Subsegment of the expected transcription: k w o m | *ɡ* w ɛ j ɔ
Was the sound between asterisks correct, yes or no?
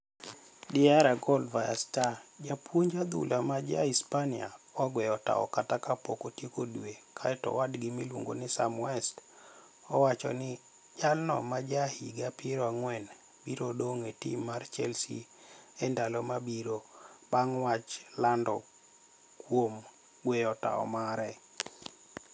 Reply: yes